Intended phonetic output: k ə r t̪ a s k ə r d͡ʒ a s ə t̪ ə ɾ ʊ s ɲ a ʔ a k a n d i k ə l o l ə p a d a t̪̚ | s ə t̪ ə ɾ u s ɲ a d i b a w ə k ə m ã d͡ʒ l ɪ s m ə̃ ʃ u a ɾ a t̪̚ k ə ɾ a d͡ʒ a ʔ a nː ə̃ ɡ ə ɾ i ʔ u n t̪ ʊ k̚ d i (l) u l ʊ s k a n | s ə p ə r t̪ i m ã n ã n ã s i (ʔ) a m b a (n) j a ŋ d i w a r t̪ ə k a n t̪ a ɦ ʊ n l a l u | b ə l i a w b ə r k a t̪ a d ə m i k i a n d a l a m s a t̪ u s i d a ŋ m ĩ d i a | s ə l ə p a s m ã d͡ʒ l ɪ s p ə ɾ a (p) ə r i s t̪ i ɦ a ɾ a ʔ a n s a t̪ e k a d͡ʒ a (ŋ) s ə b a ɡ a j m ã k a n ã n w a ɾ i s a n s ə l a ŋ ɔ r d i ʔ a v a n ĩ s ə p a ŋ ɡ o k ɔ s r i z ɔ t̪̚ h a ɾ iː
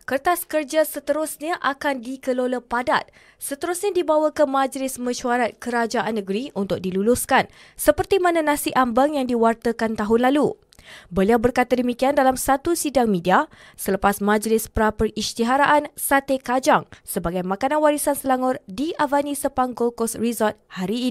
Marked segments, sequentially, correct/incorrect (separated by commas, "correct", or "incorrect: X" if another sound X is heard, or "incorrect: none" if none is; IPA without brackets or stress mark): correct, correct, incorrect: ŋ, correct, correct